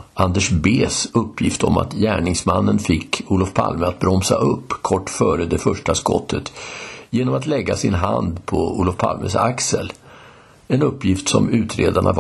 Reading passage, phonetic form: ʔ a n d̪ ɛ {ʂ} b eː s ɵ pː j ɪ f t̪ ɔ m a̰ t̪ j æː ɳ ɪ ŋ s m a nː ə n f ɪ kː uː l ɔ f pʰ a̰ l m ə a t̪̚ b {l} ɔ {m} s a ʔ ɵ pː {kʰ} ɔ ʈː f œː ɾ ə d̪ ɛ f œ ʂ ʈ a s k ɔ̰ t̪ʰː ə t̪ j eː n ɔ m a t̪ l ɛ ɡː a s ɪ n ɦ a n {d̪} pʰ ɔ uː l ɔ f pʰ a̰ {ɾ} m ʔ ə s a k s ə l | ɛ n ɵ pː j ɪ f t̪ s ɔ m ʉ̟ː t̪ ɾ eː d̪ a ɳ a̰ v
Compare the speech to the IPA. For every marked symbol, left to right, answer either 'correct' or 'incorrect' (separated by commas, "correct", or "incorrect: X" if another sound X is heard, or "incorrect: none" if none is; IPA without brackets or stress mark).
correct, incorrect: ɾ, correct, correct, correct, incorrect: l